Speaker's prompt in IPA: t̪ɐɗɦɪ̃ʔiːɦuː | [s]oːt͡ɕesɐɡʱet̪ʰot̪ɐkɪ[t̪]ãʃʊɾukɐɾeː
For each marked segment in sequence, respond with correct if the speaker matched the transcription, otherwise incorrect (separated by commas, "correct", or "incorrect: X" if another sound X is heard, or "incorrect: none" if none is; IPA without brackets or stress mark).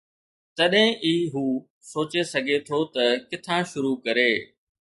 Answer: correct, incorrect: t̪ʰ